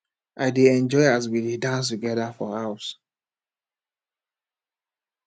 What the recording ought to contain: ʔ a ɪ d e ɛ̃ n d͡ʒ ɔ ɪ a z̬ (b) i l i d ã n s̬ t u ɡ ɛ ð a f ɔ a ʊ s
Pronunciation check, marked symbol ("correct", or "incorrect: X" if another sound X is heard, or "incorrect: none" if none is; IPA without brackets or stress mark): incorrect: w